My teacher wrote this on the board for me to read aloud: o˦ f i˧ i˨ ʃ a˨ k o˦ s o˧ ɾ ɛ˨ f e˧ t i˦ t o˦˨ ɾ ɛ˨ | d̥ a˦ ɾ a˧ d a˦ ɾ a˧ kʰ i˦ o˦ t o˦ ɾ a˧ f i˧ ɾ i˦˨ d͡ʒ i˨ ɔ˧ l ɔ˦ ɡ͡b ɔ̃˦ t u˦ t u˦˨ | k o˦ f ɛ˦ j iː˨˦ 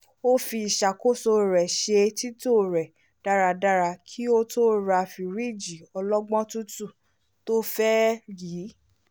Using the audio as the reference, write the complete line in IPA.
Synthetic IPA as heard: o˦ f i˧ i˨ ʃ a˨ k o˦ s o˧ ɾ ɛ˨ ʃ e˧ t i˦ t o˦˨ ɾ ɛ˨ | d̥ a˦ ɾ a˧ d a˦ ɾ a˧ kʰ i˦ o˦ t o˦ ɾ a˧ f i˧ ɾ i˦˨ d͡ʒ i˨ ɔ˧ l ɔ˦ ɡ͡b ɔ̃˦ t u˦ t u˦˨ | t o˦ f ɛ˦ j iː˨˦